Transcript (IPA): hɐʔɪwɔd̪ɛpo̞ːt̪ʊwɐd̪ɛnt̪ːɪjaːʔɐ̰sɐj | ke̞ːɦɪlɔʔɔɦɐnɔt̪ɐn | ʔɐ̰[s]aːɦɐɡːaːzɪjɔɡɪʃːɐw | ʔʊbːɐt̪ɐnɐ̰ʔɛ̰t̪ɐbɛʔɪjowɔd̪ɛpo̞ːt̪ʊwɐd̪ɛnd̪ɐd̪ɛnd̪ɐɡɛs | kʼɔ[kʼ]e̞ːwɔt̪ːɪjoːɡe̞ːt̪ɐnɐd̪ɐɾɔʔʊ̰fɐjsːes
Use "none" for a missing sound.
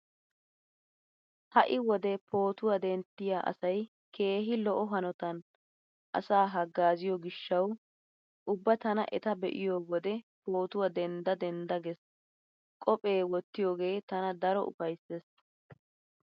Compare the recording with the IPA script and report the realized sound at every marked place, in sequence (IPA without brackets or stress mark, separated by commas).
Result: s, pʼ